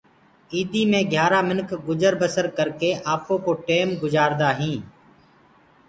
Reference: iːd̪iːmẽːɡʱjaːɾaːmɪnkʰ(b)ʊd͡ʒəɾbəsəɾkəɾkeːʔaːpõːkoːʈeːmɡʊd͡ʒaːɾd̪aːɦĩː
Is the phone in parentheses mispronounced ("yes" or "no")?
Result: yes